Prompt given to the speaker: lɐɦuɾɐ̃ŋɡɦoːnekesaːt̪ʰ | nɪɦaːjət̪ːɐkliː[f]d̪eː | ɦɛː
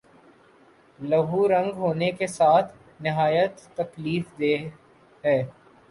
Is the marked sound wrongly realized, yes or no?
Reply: no